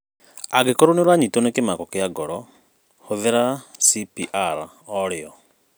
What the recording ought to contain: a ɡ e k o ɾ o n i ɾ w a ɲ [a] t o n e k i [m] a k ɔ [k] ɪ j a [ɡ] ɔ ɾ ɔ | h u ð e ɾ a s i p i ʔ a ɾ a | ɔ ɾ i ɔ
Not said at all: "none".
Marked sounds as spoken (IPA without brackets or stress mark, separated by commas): i, m, k, ɡ